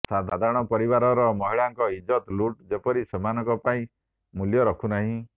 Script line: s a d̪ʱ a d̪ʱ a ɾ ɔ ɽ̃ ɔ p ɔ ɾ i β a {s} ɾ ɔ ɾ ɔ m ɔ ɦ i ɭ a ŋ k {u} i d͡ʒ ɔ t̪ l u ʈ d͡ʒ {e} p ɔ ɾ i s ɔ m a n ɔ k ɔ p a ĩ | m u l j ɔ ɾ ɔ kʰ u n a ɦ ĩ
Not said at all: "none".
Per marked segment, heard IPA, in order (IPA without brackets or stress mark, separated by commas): none, ɔ, e